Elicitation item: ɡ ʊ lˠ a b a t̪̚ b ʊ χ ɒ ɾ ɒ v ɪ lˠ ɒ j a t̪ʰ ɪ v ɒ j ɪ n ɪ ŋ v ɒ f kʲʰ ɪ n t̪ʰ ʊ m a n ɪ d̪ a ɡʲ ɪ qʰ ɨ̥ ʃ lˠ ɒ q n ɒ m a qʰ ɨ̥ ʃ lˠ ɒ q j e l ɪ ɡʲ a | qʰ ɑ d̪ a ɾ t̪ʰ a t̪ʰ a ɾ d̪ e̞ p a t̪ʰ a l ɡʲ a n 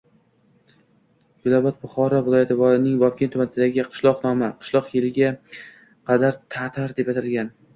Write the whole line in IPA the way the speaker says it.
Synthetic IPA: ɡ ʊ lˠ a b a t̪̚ b ʊ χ ɒ ɾ ɒ v ɪ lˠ ɒ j a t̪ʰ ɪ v ɒ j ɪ n ɪ ŋ v ɒ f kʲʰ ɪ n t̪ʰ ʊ m a n ɪ d̪ a ɡʲ ɪ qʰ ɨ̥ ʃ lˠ ɒ q n ɒ m a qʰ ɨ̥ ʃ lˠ ɒ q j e l ɪ ɡʲ a | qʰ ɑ d̪ a ɾ t̪ʰ a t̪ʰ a ɾ d̪ e̞ p a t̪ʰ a l ɡʲ a n